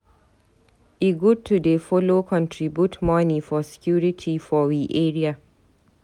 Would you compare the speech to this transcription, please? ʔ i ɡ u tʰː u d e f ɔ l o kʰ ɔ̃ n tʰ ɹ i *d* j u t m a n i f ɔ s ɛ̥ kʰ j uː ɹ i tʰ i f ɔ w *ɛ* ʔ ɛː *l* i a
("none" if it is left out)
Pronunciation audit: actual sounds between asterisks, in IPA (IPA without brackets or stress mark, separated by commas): b, i, ɹ